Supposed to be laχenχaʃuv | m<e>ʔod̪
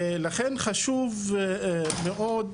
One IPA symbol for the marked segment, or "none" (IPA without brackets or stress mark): e